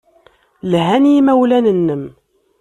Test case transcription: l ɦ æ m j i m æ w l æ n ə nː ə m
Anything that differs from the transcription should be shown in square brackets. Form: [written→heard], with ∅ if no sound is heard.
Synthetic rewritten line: l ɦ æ [m→n] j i m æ w l æ n ə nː ə m